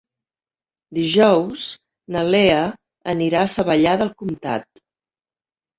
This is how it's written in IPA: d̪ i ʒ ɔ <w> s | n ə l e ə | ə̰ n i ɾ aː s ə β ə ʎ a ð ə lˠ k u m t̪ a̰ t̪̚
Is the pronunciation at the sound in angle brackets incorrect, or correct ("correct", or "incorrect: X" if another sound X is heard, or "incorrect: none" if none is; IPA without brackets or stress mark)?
correct